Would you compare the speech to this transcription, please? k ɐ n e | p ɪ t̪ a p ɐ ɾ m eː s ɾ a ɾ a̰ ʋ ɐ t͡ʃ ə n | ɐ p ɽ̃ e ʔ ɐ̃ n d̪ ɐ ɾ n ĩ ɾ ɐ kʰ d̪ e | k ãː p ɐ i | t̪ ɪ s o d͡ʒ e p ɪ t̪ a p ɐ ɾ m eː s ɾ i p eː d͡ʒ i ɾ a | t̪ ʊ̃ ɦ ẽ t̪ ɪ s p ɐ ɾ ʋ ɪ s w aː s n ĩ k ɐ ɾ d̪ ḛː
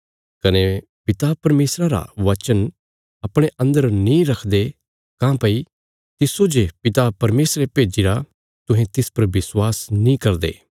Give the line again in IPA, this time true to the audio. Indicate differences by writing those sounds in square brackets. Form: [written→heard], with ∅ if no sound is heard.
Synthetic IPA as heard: k ɐ n e | p ɪ t̪ a p ɐ ɾ m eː s ɾ a ɾ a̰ ʋ ɐ t͡ʃ ə n | ɐ p ɽ̃ e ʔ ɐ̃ n d̪ [ɐ→ə] ɾ n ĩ ɾ ɐ kʰ d̪ e | k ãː p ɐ i | t̪ ɪ s o d͡ʒ e p ɪ t̪ a p ɐ ɾ m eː s ɾ [i→e] p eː d͡ʒ i ɾ a | t̪ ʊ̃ ɦ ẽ t̪ ɪ s p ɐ ɾ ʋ ɪ s w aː s n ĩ k ɐ ɾ d̪ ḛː